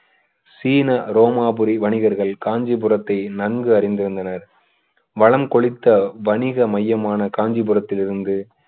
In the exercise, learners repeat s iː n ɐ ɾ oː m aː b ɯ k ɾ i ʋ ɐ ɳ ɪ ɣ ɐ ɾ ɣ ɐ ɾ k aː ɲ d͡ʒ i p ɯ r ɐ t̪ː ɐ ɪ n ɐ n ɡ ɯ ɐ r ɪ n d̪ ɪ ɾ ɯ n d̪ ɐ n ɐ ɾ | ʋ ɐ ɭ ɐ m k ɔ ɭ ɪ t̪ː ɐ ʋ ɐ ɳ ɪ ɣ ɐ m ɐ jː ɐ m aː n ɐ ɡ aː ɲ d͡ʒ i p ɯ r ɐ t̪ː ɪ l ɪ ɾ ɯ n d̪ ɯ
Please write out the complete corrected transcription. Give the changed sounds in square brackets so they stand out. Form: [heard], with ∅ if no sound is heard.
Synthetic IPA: s iː n ɐ ɾ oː m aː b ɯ [∅] ɾ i ʋ ɐ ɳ ɪ ɣ ɐ ɾ ɣ ɐ [ɭ] k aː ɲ d͡ʒ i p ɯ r ɐ t̪ː ɐ ɪ n ɐ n ɡ ɯ ɐ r ɪ n d̪ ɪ ɾ ɯ n d̪ ɐ n ɐ ɾ | ʋ ɐ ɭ ɐ m k ɔ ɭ ɪ t̪ː ɐ ʋ ɐ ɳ ɪ ɣ ɐ m ɐ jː ɐ m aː n ɐ [k] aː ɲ d͡ʒ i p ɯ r ɐ t̪ː ɪ l ɪ ɾ ɯ n d̪ ɯ